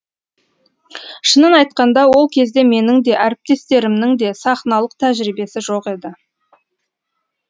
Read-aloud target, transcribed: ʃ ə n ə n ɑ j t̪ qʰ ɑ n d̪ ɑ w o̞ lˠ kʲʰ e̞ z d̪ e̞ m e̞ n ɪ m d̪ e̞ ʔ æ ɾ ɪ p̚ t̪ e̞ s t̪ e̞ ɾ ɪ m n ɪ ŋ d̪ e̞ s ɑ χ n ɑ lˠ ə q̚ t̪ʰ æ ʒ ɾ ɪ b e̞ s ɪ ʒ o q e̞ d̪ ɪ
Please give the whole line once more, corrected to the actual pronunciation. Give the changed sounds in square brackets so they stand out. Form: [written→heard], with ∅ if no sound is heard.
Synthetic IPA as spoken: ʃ ə n ə n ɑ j t̪ [qʰ→q] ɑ n d̪ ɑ w o̞ lˠ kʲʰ e̞ z d̪ e̞ m e̞ n ɪ [m→ŋ] d̪ e̞ ʔ æ ɾ ɪ p̚ t̪ e̞ s t̪ e̞ ɾ ɪ m n ɪ ŋ d̪ e̞ s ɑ χ n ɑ lˠ ə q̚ t̪ʰ æ ʒ ɾ [ɪ→i] b e̞ s ɪ ʒ o q e̞ d̪ ɪ